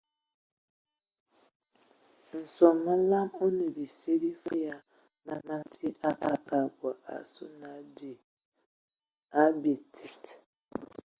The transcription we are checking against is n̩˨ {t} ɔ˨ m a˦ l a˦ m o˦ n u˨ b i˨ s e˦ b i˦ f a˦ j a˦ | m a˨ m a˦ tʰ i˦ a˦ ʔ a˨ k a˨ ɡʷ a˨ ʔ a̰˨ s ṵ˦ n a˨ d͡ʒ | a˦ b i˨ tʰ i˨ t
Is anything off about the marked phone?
yes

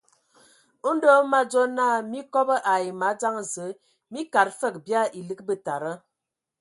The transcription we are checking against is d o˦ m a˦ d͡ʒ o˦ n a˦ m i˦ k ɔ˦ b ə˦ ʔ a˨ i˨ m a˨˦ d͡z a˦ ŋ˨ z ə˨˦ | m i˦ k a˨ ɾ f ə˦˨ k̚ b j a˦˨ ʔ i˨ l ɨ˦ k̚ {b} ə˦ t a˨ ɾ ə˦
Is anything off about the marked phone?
no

